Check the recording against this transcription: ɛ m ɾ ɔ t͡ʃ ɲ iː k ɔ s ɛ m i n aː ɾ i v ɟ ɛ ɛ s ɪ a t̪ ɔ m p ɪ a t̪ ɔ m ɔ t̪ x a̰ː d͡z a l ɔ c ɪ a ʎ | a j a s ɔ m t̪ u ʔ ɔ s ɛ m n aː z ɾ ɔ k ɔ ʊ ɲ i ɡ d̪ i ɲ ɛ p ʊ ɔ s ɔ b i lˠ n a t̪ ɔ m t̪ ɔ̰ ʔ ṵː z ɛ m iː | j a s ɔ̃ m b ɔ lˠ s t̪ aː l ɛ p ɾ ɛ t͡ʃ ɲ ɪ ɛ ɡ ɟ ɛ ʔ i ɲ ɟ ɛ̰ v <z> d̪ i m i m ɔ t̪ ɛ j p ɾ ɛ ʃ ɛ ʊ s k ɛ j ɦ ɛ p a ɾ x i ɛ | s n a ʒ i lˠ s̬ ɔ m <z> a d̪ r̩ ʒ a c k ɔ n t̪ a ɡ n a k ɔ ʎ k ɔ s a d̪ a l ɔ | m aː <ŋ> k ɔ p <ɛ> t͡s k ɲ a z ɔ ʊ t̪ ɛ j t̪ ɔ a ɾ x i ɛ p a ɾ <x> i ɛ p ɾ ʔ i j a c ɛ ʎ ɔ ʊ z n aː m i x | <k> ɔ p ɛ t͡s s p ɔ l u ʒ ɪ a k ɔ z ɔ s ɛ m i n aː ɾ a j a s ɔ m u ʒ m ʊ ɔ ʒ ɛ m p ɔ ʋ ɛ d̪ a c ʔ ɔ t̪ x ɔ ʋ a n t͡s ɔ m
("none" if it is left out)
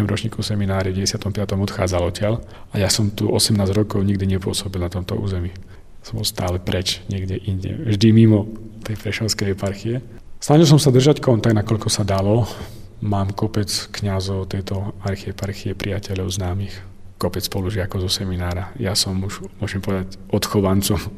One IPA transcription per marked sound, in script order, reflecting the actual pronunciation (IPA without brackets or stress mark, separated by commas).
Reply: ʒ, s, m, ɛ, x, k